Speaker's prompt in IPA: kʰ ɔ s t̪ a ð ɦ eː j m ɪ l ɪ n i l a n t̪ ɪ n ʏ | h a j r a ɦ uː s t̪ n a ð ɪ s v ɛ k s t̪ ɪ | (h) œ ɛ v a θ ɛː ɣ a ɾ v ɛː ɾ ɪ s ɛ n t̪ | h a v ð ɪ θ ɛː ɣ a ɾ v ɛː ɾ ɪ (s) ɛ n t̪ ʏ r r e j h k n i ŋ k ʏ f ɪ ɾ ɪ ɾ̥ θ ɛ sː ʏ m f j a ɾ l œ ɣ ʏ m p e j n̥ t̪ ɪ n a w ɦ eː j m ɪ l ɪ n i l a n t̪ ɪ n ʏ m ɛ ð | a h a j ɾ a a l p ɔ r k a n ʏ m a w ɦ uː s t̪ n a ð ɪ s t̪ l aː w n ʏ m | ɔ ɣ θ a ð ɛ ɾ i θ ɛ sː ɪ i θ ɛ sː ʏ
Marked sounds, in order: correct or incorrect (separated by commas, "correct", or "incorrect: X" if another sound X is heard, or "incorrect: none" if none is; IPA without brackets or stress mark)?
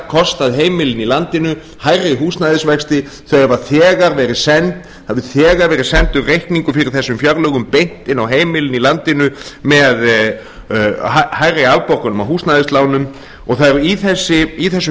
incorrect: θ, correct